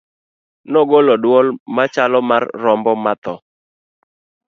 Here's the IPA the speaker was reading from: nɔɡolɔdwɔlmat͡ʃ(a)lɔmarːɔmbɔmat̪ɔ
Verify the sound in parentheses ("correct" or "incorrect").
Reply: correct